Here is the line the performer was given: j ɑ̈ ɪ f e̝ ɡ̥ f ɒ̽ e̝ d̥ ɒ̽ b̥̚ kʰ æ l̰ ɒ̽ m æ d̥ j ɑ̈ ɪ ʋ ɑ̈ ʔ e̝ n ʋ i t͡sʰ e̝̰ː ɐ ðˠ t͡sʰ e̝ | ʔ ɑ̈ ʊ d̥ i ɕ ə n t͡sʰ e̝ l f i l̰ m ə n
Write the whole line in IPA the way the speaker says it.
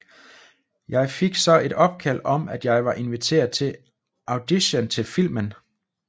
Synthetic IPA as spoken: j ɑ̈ ɪ f e̝ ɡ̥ s ɒ̽ e̝ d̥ ɒ̽ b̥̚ kʰ æ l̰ ɒ̽ m æ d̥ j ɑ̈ ɪ ʋ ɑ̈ ʔ e̝ n ʋ i t͡sʰ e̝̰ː ɐ ðˠ t͡sʰ e̝ | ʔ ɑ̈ ʊ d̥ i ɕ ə n t͡sʰ e̝ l f i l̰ m ə n